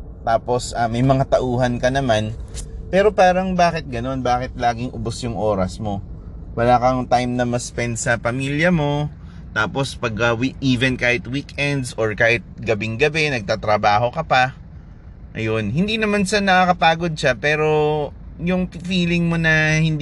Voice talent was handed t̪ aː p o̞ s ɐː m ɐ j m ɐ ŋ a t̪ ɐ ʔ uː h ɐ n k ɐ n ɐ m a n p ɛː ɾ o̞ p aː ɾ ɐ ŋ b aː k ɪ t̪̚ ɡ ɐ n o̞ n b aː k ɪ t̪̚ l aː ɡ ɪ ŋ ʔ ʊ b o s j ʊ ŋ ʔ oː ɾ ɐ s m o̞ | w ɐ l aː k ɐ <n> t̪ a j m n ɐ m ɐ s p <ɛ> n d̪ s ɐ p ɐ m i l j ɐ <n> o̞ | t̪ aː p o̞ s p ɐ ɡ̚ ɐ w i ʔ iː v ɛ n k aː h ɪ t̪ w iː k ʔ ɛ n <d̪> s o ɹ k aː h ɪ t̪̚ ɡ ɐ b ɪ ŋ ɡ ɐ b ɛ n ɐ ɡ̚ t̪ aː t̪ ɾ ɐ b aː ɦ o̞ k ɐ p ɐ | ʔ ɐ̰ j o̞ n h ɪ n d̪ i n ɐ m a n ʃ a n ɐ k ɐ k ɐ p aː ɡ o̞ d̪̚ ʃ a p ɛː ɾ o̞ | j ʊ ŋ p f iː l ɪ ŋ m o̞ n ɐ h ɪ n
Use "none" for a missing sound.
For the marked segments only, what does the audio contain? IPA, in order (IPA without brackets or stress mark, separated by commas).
ŋ, ɛ, m, d̪